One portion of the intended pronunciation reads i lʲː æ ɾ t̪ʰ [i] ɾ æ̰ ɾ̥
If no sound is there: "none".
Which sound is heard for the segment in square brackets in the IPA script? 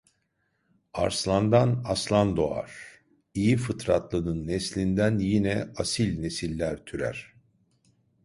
y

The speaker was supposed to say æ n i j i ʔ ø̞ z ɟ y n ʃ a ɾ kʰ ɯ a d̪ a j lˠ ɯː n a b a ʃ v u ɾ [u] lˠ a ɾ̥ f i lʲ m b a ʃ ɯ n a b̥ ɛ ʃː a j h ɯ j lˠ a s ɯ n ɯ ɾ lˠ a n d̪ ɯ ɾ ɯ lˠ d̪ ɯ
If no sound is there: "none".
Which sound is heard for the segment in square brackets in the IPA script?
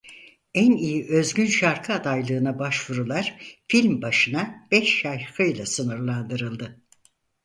u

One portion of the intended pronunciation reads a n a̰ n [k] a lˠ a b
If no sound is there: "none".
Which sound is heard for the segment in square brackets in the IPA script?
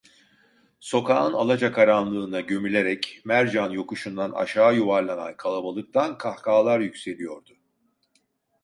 kʰ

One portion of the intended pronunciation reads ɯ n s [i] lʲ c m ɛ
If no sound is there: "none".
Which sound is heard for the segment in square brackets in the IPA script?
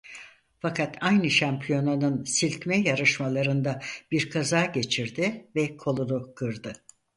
i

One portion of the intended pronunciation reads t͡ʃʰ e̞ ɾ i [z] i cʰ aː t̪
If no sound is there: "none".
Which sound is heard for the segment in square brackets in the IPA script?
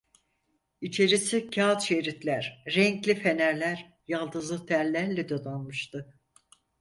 s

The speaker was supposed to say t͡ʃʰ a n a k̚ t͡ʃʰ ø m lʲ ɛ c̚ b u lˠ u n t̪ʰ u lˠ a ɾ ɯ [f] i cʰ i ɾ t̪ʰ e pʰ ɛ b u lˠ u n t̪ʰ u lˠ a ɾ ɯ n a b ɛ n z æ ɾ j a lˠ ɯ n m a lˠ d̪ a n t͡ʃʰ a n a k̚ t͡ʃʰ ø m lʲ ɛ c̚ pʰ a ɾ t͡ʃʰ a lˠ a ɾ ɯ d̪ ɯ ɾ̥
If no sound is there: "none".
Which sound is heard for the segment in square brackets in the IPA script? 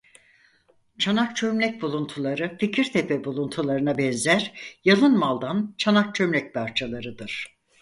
f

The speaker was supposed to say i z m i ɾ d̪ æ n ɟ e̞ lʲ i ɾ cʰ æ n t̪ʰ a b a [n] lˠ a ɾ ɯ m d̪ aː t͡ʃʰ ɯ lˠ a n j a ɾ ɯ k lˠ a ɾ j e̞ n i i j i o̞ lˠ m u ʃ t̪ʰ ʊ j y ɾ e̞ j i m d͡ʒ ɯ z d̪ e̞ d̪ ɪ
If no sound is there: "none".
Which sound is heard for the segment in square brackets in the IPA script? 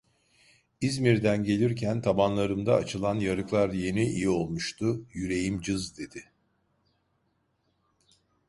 n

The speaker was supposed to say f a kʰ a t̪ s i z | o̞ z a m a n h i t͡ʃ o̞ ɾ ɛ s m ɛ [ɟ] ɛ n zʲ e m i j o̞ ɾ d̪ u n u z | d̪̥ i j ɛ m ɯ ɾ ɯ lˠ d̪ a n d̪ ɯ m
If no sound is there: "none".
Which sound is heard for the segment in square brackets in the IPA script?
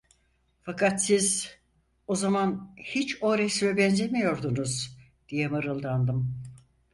b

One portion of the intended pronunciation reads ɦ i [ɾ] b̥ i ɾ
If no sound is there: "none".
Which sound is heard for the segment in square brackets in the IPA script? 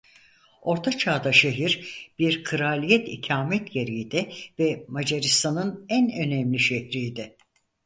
ɾ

